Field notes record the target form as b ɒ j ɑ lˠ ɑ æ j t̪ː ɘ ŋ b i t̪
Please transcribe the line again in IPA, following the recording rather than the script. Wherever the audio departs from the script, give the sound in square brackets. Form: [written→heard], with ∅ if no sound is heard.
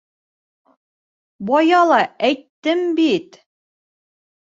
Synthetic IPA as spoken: b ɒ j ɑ lˠ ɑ æ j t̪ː ɘ [ŋ→m] b i t̪